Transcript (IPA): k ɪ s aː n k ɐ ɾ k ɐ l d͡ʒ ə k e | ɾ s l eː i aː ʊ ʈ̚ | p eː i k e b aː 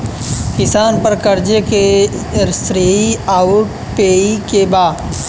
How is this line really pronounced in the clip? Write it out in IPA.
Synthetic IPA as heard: k ɪ s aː n p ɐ ɾ k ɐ ɾ d͡ʒ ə k e | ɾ s ɾ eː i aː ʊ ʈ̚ | p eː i k e b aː

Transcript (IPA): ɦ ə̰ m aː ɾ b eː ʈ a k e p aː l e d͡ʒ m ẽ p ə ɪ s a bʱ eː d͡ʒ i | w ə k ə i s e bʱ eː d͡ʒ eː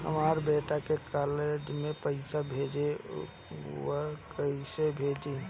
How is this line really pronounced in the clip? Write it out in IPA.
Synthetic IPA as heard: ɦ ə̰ m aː ɾ b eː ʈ a k e k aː l e d͡ʒ m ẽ p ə ɪ s a bʱ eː d͡ʒ e | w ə k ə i s e bʱ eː d͡ʒ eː

